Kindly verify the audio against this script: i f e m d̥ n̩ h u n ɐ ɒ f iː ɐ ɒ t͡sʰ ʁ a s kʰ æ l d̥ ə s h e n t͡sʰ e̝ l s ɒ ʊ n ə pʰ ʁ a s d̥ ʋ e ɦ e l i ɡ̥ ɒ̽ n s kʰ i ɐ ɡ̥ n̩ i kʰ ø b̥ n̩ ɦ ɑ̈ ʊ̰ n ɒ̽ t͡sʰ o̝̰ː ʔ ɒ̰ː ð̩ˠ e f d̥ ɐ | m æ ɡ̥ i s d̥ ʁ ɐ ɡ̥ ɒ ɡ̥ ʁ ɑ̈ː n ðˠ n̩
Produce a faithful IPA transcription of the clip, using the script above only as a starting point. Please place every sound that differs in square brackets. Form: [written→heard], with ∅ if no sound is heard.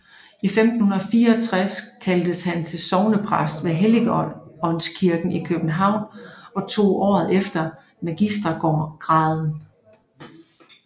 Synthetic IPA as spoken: i f e m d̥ n̩ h u n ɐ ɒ f iː ɐ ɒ t͡sʰ ʁ a s kʰ æ l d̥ ə s h [e→æ] n t͡sʰ e̝ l s ɒ ʊ n ə pʰ ʁ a s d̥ ʋ e ɦ e l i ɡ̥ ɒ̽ n s kʰ i ɐ ɡ̥ n̩ i kʰ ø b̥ n̩ ɦ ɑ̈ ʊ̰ n ɒ̽ t͡sʰ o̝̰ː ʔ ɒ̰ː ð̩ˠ e f d̥ ɐ | m æ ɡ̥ i s d̥ ʁ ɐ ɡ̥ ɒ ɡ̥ ʁ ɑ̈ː [n→∅] ðˠ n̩